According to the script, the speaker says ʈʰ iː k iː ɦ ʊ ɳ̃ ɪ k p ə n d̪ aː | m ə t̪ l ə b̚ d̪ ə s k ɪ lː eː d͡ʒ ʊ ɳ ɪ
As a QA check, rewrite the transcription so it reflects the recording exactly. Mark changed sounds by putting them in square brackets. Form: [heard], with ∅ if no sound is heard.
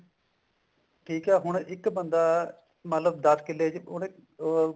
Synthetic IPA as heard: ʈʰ iː k [ɛː] ɦ ʊ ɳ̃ ɪ k [b] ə n d̪ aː | m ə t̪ l ə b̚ d̪ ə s k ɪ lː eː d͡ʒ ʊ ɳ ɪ